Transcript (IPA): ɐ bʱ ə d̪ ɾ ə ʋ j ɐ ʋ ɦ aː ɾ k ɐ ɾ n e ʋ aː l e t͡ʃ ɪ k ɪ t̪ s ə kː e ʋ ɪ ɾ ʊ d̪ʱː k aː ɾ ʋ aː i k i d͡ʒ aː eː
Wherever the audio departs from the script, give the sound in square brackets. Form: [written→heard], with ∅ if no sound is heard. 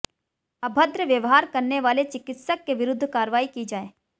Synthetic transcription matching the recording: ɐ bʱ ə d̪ ɾ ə ʋ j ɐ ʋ ɦ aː ɾ k ɐ ɾ n e ʋ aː l e t͡ʃ ɪ k ɪ t̪ s ə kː e ʋ ɪ ɾ ʊ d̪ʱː k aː ɾ ʋ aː i k i d͡ʒ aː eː